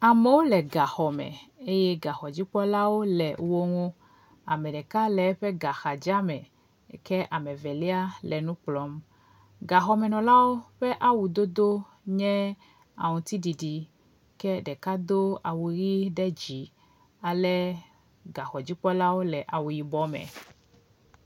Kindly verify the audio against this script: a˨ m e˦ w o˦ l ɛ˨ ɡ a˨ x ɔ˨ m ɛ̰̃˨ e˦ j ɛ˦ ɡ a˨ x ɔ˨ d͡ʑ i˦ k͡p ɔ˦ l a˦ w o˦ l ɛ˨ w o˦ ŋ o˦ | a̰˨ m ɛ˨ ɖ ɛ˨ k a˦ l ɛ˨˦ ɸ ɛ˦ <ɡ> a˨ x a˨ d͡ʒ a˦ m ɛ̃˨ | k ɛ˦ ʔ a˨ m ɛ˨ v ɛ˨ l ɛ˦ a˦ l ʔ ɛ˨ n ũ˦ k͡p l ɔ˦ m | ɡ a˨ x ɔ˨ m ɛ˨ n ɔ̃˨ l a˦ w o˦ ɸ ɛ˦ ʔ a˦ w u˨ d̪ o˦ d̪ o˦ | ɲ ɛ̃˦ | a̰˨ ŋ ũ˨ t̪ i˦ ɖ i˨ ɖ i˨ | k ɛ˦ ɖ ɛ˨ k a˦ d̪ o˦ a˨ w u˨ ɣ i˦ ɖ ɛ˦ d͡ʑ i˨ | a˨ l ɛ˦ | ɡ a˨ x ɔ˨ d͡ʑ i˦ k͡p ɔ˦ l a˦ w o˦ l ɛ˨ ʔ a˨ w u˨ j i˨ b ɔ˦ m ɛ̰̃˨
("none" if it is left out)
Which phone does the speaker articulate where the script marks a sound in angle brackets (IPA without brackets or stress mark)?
ɡ